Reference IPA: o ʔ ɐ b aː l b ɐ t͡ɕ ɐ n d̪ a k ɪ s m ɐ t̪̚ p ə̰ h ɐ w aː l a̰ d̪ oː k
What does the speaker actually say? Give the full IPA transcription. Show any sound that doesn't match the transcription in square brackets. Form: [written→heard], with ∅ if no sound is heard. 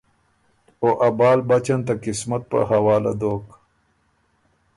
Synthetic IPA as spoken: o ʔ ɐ b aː l b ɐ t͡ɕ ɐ n [d̪→t̪] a k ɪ s m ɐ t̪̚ p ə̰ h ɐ w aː l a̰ d̪ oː k